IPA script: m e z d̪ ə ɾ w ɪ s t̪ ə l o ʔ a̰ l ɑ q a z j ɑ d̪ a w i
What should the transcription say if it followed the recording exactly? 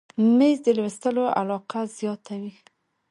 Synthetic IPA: m e z d̪ ə l w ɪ s t̪ ə l o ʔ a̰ l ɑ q a z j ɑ t̪ a w i